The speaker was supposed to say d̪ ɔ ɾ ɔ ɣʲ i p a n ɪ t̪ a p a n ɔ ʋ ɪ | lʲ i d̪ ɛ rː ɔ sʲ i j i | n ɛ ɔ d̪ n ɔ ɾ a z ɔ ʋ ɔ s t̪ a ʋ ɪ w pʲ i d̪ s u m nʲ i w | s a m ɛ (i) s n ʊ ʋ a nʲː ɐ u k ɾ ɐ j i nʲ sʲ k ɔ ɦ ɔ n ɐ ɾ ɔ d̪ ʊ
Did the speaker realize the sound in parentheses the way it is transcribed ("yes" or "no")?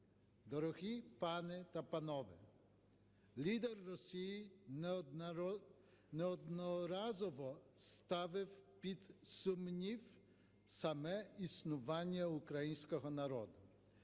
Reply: yes